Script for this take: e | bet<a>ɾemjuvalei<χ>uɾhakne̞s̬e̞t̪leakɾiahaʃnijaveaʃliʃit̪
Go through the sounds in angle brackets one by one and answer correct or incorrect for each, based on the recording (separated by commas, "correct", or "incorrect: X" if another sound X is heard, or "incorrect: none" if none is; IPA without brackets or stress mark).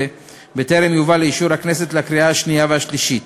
incorrect: e, incorrect: ʃ